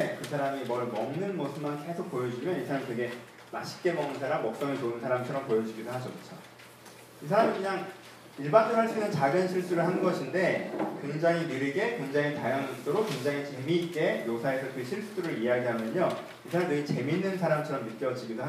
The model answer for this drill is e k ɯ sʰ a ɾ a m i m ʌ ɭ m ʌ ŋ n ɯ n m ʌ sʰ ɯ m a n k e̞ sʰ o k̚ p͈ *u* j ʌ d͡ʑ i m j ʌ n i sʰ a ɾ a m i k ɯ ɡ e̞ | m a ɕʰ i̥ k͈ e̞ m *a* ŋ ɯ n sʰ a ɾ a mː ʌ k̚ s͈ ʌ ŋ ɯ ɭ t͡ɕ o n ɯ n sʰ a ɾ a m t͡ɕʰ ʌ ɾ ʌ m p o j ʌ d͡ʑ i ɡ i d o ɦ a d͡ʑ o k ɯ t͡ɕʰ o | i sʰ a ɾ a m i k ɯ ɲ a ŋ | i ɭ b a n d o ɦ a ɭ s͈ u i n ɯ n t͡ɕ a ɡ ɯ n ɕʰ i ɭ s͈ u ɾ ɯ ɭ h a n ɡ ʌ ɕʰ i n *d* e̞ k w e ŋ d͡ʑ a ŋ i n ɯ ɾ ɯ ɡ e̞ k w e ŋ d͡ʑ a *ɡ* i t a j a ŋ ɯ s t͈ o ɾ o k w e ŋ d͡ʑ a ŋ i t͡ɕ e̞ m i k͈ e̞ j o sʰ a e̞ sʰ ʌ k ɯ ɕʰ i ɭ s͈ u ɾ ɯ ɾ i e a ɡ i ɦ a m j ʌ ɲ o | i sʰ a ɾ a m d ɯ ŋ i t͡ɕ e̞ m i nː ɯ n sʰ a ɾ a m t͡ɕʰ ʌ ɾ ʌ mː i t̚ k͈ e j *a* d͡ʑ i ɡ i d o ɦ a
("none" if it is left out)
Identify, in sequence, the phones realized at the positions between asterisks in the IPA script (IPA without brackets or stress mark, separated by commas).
o, ʌ, d, ŋ, ʌ